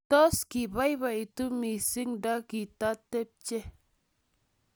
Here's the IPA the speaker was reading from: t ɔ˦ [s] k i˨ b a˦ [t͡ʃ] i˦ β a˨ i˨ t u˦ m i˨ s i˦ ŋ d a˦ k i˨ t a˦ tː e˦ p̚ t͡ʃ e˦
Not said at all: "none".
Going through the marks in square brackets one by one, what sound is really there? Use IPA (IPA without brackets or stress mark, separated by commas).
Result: s, none